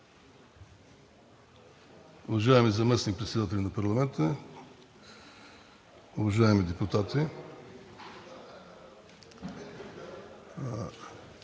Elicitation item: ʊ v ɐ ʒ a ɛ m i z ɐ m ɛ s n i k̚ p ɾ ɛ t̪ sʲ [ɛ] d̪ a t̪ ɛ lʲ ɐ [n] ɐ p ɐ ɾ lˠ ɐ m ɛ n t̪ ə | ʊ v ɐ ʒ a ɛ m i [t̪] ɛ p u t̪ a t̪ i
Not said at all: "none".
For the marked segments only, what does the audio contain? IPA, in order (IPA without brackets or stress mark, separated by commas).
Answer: ɛ, n, d̪